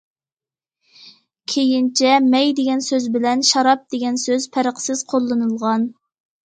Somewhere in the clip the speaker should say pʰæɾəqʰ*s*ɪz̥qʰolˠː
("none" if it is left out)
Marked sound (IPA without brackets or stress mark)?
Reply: s